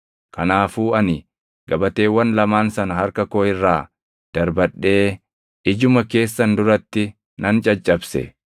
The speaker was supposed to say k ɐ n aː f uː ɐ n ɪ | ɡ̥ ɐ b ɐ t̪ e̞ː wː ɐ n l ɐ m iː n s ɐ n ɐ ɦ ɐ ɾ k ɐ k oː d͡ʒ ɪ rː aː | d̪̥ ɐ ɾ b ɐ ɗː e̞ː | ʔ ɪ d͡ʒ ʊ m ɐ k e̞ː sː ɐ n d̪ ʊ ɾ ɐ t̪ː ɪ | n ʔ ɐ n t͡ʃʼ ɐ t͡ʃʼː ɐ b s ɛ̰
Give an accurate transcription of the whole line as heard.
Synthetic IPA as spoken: k ɐ n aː f uː ɐ n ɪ | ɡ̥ ɐ b ɐ t̪ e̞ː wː ɐ n l ɐ m aː n s ɐ n ɐ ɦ ɐ ɾ k ɐ k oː ɪ rː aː | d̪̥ ɐ ɾ b ɐ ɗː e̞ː | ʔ ɪ d͡ʒ ʊ m ɐ k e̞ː sː ɐ n d̪ ʊ ɾ ɐ t̪ː ɪ | n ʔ ɐ n t͡ʃʼ ɐ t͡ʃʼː ɐ b s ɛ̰